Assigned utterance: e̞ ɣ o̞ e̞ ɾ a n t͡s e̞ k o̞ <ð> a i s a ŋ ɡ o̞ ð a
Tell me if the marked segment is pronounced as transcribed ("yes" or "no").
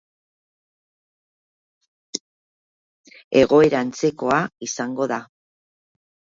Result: no